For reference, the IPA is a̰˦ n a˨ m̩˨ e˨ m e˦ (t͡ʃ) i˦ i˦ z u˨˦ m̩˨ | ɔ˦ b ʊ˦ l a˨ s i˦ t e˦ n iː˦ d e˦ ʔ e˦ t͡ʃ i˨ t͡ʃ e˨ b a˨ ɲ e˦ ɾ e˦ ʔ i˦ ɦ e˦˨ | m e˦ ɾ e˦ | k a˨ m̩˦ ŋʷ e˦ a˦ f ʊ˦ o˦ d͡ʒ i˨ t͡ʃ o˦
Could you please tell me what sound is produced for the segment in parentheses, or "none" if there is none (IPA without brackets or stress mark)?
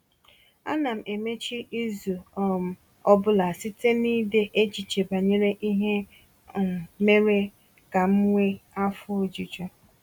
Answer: t͡ʃ